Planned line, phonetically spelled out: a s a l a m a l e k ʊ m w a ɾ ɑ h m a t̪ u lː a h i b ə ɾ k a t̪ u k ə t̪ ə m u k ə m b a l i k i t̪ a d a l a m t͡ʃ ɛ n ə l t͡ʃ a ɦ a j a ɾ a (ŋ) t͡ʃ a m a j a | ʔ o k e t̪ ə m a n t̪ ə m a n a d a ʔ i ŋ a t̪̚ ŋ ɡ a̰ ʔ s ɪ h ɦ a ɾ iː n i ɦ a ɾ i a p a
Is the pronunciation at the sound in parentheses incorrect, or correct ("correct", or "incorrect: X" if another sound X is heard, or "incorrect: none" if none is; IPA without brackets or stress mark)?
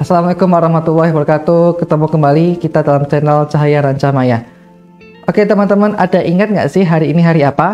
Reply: incorrect: ɲ